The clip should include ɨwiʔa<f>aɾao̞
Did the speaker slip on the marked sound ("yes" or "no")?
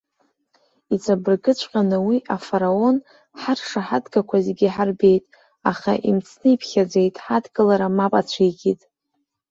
no